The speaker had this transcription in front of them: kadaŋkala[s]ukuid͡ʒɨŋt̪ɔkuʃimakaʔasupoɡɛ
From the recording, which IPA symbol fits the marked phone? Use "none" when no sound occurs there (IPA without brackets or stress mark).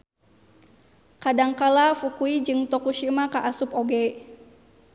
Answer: f